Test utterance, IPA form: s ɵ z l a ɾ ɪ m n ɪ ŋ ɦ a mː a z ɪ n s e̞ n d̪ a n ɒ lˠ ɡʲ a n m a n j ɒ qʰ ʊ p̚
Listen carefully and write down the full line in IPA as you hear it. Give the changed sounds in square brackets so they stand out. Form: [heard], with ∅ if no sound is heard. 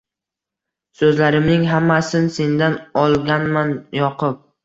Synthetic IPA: s ɵ z l a ɾ ɪ m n ɪ ŋ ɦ a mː a [s] ɪ n s e̞ n d̪ a n ɒ lˠ ɡʲ a n m a n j ɒ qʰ ʊ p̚